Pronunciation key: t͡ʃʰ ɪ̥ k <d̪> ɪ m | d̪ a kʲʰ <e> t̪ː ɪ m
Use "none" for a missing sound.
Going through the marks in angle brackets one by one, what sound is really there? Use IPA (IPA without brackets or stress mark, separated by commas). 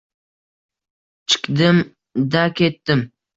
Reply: d̪, e